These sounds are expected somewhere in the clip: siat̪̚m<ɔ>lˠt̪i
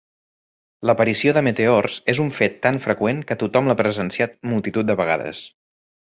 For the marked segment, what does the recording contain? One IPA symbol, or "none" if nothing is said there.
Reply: u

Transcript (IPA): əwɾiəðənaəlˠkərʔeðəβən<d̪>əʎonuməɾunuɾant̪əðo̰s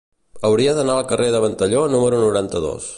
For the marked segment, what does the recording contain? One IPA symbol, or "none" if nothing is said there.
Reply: t̪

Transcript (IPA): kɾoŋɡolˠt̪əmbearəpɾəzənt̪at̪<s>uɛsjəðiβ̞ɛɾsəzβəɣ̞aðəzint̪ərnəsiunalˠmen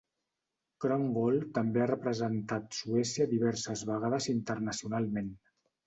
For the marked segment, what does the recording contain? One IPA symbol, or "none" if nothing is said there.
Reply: s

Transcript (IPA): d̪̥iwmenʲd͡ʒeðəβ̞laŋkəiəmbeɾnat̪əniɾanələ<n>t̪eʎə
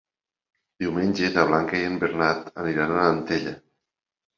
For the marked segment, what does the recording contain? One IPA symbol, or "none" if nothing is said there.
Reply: n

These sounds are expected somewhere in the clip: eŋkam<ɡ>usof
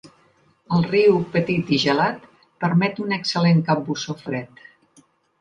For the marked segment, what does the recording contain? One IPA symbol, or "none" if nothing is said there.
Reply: b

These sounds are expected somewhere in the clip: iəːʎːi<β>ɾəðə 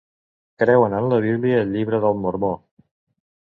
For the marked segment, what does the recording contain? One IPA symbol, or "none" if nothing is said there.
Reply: β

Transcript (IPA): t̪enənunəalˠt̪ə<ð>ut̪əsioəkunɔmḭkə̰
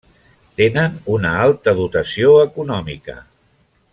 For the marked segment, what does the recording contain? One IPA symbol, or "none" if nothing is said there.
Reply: ð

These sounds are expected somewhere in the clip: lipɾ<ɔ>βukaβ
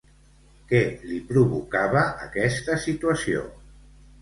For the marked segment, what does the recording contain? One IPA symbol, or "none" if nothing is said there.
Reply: u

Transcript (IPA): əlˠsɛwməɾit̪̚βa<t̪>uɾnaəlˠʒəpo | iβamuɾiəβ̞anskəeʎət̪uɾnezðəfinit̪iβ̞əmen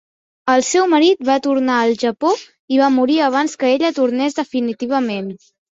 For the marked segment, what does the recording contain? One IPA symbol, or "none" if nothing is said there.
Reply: t̪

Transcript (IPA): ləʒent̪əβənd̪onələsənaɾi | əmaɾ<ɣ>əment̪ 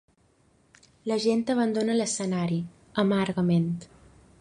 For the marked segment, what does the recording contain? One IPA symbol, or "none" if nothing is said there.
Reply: ɣ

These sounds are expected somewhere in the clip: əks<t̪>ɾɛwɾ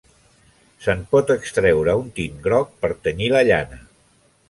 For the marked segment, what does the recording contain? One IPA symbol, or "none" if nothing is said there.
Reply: t̪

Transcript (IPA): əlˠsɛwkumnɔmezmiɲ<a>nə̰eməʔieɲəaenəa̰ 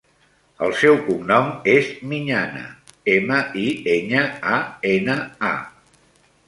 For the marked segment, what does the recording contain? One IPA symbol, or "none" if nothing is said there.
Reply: a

